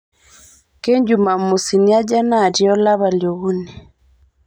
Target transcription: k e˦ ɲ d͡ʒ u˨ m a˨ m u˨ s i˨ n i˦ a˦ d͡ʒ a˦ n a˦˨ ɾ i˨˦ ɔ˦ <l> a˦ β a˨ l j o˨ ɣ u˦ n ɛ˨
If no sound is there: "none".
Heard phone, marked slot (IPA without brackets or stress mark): l